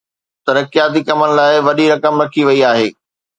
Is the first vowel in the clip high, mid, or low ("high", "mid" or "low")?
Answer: low